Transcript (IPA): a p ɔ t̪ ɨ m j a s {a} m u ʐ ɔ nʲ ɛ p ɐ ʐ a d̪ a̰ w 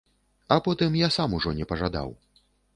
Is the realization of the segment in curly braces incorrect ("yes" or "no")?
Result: no